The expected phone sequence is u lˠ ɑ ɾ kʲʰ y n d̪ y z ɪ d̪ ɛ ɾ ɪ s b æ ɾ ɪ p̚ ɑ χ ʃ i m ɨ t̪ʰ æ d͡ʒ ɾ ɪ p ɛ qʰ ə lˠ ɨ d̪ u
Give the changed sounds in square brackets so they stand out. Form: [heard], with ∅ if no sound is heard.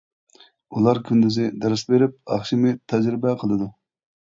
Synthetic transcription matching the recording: u lˠ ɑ ɾ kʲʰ y n d̪ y z ɪ d̪ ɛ ɾ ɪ s b [e] ɾ ɪ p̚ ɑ χ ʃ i m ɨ t̪ʰ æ d͡ʒ ɾ ɪ [b] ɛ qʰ ə lˠ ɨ d̪ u